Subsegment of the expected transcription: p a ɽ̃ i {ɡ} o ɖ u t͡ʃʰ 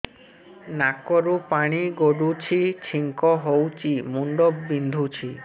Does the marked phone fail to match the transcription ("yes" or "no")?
no